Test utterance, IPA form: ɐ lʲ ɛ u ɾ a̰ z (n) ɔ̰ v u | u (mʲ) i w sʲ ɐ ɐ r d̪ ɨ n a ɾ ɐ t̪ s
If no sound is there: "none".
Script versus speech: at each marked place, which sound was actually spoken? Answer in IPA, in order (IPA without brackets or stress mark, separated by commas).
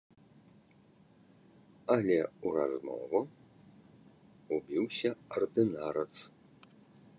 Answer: m, bʲ